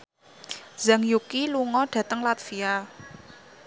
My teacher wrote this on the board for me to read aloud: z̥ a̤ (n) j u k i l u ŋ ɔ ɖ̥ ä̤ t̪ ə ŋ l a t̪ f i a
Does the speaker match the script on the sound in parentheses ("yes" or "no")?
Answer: no